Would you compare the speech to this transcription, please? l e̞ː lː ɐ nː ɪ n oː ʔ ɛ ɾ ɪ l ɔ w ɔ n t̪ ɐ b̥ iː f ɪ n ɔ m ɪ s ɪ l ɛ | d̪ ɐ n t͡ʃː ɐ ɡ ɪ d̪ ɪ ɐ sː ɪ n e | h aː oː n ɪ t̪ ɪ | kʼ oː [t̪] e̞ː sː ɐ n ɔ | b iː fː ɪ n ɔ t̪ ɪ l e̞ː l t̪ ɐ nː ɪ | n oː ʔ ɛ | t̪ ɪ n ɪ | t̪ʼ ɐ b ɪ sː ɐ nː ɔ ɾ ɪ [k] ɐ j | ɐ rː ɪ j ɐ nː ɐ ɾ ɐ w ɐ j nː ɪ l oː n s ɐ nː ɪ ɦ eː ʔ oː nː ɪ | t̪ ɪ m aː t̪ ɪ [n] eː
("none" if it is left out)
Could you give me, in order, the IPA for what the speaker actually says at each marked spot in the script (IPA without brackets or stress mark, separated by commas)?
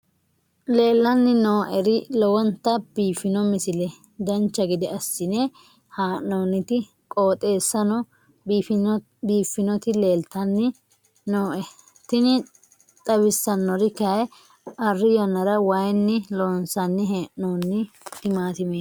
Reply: t̪ʼ, k, m